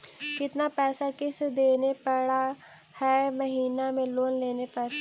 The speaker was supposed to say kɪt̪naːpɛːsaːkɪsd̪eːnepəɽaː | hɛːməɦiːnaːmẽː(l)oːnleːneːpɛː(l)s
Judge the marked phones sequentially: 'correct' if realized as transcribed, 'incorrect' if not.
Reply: correct, incorrect: none

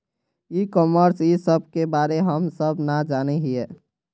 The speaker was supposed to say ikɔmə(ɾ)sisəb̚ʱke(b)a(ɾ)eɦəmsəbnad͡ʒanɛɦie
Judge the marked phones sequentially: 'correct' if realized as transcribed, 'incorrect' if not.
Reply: correct, correct, correct

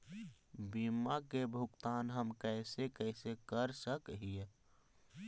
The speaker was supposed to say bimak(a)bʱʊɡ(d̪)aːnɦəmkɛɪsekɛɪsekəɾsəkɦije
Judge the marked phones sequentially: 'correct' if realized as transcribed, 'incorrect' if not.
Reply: incorrect: e, incorrect: t̪

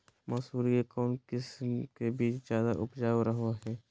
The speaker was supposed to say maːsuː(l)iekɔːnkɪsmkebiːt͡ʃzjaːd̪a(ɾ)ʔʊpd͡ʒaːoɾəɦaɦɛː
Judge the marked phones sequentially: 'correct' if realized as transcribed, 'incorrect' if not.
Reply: incorrect: ɾ, incorrect: none

